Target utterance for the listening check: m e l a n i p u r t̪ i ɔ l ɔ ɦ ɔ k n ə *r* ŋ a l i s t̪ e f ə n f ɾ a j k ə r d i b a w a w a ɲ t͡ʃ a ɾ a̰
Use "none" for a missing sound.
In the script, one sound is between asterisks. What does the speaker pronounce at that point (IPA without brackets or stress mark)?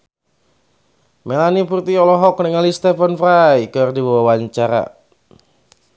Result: none